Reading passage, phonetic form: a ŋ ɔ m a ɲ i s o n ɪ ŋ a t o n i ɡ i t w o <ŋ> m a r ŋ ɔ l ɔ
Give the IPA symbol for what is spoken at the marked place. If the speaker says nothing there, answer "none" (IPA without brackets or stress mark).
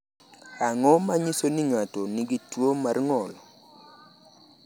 none